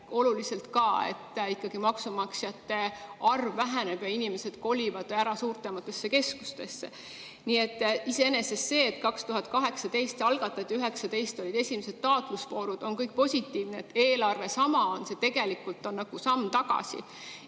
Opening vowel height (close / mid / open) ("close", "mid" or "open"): mid